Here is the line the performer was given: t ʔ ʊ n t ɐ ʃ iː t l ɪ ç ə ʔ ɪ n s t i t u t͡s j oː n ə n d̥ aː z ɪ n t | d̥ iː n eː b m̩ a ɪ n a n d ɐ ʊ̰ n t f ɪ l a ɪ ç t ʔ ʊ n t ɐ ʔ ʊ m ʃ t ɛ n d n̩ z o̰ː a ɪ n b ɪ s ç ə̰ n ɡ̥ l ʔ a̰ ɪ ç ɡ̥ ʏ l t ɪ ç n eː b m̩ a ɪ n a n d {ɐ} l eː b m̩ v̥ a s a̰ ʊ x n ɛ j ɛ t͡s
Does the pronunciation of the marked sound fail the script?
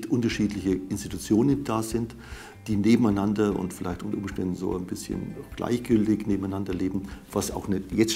no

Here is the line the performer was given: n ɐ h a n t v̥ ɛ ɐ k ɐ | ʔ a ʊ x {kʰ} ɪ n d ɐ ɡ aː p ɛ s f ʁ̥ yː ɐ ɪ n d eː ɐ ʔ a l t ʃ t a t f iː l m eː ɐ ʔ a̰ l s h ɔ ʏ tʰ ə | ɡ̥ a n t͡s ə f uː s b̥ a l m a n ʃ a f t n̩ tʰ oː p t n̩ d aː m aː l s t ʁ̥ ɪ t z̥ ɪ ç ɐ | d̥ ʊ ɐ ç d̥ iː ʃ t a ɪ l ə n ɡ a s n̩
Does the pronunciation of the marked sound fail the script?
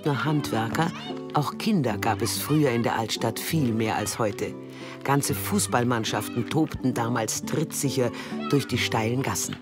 no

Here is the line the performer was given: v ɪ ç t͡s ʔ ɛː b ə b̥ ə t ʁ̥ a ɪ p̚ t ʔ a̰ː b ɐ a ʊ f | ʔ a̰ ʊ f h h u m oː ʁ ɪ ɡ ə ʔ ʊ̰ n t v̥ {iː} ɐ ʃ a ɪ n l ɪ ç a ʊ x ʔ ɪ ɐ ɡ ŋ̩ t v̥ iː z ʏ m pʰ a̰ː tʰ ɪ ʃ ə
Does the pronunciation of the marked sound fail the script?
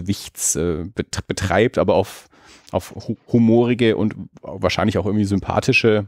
yes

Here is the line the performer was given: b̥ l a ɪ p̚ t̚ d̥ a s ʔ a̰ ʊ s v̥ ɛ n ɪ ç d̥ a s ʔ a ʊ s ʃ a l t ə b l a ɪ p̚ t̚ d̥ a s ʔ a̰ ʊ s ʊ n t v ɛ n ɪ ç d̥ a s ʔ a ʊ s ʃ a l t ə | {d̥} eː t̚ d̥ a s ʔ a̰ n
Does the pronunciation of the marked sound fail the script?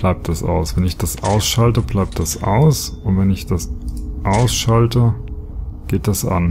yes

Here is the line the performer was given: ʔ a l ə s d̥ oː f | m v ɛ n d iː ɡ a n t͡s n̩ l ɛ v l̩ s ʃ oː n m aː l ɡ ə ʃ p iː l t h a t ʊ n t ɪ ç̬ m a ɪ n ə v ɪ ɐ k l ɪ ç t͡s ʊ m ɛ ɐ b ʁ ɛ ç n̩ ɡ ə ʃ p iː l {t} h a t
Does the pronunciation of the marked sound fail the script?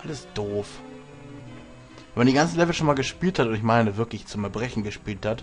no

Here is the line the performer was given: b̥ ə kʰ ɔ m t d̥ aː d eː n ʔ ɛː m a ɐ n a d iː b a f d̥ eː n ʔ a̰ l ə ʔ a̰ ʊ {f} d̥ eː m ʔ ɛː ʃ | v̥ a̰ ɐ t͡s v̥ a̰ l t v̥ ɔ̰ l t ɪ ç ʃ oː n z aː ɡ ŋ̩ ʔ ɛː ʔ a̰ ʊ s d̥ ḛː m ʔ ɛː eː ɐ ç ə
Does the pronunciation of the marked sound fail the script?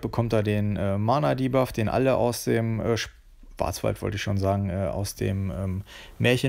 yes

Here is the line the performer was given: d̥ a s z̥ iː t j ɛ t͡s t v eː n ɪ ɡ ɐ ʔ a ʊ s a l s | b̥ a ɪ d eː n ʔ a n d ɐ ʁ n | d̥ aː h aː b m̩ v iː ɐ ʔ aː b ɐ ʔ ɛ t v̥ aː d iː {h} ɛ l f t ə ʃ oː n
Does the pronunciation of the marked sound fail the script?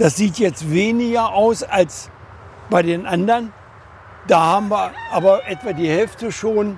no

